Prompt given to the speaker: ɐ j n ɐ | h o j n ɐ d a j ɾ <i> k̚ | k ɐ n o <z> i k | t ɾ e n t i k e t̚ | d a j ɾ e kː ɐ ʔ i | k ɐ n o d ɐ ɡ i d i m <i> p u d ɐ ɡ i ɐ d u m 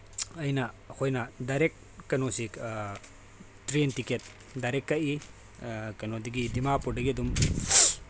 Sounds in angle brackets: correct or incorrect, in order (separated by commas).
incorrect, incorrect, incorrect